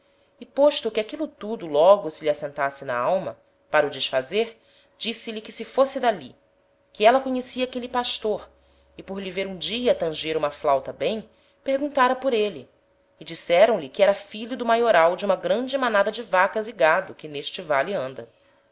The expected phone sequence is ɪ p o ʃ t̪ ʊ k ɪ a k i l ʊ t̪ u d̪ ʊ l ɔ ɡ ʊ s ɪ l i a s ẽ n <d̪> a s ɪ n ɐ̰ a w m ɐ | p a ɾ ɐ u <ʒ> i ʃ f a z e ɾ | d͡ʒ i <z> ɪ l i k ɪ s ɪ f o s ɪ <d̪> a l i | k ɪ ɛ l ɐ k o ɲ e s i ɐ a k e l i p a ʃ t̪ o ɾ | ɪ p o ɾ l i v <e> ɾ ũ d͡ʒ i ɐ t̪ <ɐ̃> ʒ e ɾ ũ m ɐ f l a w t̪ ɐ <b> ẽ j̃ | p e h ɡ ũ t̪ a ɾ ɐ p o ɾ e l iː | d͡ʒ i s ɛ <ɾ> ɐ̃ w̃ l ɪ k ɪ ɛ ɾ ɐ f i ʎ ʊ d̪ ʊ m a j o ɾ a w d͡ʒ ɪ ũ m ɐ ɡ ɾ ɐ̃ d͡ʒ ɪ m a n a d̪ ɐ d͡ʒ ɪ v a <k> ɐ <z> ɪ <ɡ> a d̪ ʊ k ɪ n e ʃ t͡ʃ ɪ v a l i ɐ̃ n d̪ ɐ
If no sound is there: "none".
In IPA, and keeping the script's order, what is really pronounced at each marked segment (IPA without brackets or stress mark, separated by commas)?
t̪, d͡ʒ, s, d̪, e, ɐ̃, b, ɾ, k, z, ɡ